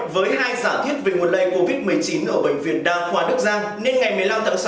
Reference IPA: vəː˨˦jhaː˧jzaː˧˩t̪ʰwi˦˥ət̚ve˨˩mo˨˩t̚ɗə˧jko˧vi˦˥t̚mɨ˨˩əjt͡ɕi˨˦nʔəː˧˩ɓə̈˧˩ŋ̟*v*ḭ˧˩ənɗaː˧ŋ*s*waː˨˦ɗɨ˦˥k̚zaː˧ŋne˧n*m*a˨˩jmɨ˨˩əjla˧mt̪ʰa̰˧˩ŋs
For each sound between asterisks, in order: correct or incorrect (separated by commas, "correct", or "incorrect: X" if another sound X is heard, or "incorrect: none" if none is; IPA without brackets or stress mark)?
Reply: correct, incorrect: x, incorrect: ŋ